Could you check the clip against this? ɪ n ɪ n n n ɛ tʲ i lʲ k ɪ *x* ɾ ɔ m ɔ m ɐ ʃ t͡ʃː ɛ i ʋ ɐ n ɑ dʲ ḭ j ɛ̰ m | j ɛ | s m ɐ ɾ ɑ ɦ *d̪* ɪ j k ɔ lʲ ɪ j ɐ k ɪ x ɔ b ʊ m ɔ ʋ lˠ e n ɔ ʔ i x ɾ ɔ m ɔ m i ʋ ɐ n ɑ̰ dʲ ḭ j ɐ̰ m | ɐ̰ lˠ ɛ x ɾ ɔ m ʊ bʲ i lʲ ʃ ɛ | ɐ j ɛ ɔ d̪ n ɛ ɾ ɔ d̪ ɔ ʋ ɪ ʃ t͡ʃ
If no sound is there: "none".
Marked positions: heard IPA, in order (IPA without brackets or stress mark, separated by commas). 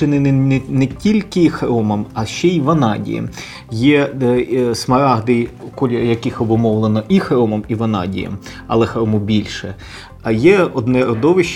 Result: x, d̪